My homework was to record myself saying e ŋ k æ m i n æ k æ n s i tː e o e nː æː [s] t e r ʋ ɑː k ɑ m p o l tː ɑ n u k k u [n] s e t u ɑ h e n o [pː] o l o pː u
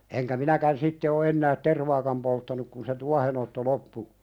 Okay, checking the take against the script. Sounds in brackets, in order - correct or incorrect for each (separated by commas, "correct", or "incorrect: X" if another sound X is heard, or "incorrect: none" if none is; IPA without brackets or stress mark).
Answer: incorrect: t, correct, incorrect: tː